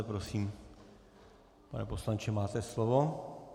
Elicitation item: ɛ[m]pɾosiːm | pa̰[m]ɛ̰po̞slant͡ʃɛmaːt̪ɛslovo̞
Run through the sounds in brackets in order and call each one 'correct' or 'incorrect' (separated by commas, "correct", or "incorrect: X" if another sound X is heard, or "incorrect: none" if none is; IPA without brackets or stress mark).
incorrect: none, incorrect: n